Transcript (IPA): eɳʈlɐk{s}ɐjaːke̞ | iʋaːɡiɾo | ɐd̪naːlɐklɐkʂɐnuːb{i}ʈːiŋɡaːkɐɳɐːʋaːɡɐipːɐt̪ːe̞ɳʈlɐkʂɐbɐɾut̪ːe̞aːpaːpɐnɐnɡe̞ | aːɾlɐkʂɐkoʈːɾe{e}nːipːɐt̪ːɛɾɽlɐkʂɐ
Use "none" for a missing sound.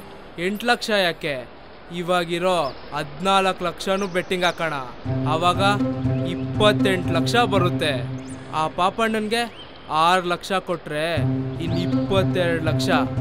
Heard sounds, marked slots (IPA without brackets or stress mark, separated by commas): ʂ, e, i